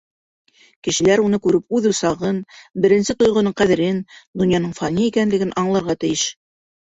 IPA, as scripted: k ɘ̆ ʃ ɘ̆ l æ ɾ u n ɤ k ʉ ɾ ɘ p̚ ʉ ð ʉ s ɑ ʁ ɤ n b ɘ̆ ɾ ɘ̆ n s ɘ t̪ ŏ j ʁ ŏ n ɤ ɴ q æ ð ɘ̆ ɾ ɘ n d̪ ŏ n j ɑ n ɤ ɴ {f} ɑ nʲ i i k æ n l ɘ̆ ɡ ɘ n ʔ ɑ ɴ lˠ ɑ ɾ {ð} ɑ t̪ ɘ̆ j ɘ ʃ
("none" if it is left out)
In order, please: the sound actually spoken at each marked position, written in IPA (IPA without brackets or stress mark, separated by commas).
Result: f, ʁ